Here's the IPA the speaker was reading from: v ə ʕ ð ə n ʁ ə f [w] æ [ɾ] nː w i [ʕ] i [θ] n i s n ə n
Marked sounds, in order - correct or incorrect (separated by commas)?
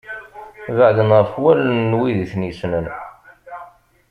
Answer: correct, incorrect, incorrect, correct